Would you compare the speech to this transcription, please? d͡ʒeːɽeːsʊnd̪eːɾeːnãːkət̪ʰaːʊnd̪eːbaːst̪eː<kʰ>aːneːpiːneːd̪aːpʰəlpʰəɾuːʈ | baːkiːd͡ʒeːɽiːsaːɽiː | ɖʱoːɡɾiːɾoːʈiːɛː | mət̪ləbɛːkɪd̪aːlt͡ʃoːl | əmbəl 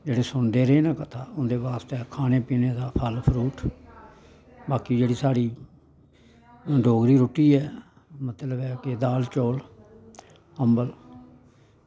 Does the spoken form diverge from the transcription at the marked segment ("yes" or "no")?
no